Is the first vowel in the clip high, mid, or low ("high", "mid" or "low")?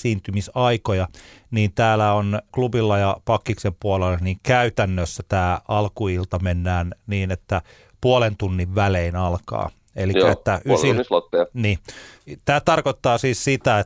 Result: high